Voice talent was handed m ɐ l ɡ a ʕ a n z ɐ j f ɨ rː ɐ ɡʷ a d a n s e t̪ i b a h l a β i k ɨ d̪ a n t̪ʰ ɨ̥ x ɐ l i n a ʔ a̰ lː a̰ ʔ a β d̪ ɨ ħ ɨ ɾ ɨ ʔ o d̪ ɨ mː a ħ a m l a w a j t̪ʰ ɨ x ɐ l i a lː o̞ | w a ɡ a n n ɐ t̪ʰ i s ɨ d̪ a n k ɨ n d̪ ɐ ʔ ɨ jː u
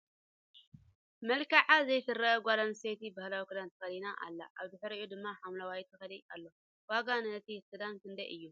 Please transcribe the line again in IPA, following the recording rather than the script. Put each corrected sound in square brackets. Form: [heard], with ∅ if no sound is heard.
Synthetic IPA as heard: m ɐ l [k] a ʕ a [∅] z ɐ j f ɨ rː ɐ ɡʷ a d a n s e t̪ i b a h l a [w] i k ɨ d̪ a n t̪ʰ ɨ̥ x ɐ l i n a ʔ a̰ lː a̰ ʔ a β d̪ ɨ ħ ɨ ɾ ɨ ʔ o d̪ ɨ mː a ħ a m l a w a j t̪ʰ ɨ x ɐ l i a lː o̞ | w a ɡ a n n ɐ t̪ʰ i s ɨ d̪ a n k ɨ n d̪ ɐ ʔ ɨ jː u